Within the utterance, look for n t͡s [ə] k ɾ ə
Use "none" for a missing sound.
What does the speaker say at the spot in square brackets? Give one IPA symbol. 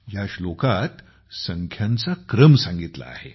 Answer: a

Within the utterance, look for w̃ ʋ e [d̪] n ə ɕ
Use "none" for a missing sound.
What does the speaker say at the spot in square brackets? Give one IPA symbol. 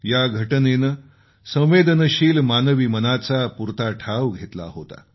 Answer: d̪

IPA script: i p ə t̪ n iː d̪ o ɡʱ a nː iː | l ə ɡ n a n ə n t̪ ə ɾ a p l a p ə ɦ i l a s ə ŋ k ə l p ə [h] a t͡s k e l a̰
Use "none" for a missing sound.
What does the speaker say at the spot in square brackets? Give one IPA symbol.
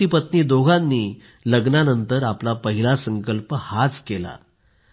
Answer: h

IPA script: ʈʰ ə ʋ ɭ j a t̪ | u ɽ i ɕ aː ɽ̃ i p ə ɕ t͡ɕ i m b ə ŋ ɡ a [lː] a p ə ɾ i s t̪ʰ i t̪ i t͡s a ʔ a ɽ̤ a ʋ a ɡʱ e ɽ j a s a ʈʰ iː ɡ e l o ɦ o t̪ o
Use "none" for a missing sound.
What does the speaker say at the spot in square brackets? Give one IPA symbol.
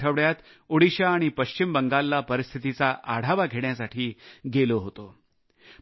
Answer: lː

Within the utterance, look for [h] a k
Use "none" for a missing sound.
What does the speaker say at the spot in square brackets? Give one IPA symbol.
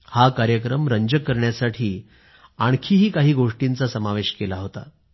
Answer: h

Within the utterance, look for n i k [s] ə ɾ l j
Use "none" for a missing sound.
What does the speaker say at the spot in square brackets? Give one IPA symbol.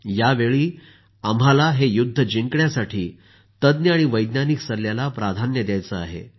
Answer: s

